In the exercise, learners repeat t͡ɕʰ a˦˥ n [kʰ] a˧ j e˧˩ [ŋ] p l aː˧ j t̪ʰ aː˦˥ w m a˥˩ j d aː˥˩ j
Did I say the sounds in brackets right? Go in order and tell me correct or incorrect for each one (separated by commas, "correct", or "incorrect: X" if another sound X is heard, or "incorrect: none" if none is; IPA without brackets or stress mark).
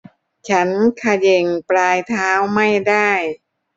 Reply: correct, correct